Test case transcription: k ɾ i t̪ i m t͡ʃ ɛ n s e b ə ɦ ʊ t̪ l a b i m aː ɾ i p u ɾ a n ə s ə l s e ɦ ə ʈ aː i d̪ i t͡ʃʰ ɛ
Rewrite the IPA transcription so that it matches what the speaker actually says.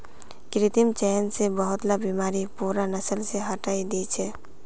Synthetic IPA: k ɾ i t̪ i m t͡ʃ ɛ n s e b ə ɦ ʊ t̪ l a b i m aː ɾ i p u ɾ a n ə s ə l s e ɦ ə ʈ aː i d̪ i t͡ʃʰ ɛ